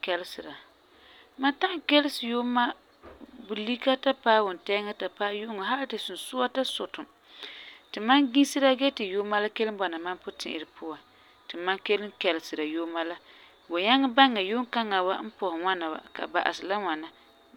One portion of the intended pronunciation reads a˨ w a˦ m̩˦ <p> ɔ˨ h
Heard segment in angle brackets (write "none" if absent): p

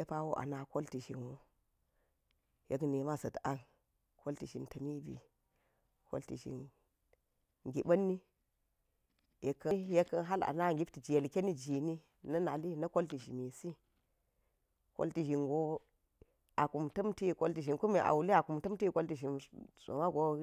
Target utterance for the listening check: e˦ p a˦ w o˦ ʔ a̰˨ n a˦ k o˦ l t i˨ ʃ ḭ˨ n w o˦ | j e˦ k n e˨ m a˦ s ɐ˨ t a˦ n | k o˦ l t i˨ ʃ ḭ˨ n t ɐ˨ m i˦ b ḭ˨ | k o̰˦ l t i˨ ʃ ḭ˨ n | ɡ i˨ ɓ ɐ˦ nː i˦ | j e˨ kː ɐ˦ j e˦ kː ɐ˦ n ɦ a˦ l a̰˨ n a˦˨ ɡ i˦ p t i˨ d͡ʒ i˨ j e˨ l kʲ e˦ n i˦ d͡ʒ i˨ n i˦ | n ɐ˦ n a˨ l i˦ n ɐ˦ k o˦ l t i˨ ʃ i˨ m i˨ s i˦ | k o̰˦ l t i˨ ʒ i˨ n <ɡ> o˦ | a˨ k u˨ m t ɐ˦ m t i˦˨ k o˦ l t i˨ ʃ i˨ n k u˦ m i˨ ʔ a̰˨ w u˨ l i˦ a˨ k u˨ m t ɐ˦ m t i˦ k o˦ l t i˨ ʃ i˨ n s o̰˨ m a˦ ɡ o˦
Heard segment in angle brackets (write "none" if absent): ɡ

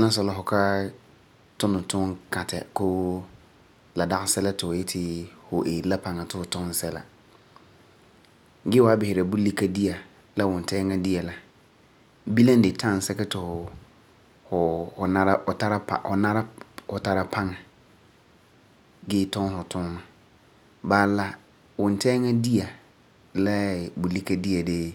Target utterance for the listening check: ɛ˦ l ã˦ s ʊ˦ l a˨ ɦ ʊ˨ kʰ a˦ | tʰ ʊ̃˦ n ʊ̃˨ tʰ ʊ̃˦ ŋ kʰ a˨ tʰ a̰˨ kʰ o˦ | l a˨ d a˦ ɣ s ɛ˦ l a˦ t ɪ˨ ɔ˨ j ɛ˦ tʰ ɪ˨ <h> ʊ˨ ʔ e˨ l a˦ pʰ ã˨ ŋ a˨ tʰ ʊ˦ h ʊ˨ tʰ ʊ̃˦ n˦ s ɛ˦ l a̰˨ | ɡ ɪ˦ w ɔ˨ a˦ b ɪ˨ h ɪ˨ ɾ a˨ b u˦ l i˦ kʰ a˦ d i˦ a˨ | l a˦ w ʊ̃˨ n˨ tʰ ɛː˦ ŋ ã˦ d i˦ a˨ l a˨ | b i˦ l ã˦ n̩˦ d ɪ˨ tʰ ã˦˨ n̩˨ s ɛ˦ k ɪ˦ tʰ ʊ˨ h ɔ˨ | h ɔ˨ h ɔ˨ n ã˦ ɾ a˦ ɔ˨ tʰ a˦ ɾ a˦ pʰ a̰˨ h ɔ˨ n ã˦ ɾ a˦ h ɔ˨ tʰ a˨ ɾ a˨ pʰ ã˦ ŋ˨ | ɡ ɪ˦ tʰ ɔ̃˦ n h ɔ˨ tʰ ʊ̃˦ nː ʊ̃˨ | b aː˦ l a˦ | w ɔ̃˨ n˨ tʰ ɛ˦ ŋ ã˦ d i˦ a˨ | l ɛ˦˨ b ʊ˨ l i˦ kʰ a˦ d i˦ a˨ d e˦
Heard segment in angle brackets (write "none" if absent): h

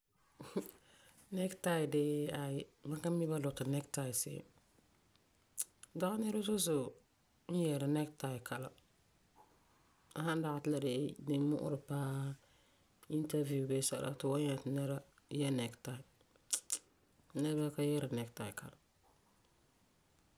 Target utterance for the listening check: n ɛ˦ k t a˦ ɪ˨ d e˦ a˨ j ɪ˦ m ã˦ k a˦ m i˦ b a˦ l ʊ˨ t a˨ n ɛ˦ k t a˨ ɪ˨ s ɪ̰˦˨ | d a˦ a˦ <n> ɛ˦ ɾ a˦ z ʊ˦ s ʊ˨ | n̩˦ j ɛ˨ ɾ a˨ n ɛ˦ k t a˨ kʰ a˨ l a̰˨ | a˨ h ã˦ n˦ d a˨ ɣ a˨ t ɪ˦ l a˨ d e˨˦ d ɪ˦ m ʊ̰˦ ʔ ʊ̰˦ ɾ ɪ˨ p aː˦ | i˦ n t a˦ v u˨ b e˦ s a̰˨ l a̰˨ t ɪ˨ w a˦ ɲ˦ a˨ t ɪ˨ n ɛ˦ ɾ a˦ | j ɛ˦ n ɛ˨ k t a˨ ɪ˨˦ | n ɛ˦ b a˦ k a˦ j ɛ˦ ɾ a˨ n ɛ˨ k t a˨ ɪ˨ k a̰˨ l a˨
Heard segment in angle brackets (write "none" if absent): n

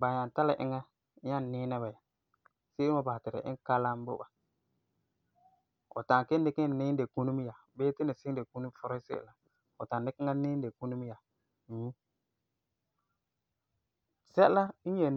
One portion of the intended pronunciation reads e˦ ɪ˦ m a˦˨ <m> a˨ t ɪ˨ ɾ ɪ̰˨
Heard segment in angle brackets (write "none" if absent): b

